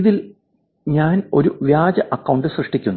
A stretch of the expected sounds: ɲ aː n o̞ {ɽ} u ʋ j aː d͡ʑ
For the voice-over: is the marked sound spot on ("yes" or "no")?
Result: no